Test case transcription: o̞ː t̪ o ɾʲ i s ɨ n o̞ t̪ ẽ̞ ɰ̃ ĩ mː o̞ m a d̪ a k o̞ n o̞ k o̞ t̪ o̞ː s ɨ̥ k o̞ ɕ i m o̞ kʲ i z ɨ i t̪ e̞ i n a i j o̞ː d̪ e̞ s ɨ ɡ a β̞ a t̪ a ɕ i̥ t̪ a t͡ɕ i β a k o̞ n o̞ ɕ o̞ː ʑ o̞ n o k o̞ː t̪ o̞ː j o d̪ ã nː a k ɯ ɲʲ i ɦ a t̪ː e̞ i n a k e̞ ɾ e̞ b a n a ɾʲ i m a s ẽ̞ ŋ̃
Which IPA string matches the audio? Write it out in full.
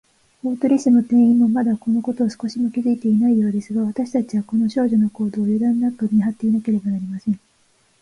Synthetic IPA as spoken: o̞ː t̪ o ɾʲ i s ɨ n o̞ t̪ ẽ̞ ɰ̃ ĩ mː o̞ m a d̪ a k o̞ n o̞ k o̞ t̪ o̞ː s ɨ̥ k o̞ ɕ i m o̞ kʲ i z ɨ i t̪ e̞ i n a i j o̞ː d̪ e̞ s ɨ ɡ a β̞ a t̪ a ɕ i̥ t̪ a t͡ɕ i β a k o̞ n o̞ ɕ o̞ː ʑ o̞ n o k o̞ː d̪ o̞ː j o d̪ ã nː a k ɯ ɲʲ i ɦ a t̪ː e̞ i n a k e̞ ɾ e̞ b a n a ɾʲ i m a s ẽ̞ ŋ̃